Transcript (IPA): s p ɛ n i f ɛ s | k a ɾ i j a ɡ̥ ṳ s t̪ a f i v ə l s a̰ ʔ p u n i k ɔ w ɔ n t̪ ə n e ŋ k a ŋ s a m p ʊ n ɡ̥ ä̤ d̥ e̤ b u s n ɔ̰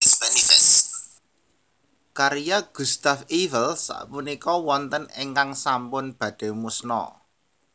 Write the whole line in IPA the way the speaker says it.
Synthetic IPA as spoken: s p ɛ n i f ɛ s | k a ɾ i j a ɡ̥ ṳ s t̪ a f i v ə l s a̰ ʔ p u n i k ɔ w ɔ n t̪ ə n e ŋ k a ŋ s a m p ʊ n b̥ ä̤ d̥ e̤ m u s n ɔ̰